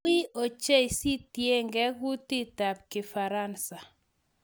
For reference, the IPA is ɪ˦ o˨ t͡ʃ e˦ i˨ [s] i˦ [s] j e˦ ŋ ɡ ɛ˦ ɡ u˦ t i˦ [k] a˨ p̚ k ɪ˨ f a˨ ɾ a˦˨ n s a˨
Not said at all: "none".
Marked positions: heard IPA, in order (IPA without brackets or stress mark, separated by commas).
s, t, t